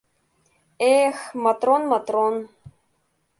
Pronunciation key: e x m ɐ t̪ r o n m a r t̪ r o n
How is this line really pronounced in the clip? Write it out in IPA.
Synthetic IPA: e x m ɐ t̪ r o n m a t̪ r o n

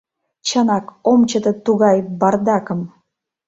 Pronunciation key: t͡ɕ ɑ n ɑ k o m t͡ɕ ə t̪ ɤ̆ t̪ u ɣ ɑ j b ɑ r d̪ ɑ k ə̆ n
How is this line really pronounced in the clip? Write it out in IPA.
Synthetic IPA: t͡ɕ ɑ n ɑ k o m t͡ɕ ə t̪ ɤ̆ t̪ u ɣ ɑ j b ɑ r d̪ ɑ k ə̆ m

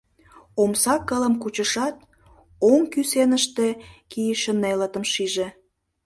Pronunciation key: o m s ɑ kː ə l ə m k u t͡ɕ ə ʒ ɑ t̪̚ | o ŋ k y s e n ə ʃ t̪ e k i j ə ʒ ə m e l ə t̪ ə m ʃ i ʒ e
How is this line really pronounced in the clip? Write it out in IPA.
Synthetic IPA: o m s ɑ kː ə l ə m k u t͡ɕ ə ʃ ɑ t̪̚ | o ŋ k y s e n ə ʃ t̪ e k i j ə ʃ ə n e l ə t̪ ə m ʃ i ʒ e

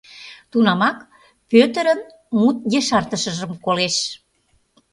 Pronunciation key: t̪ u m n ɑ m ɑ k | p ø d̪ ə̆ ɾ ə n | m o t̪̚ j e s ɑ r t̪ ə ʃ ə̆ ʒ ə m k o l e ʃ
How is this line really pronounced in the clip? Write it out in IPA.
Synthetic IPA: t̪ u n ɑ m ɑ k | p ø t̪ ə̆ ɾ ə n | m u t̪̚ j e ʃ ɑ r t̪ ə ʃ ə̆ ʒ ə m k o l e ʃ

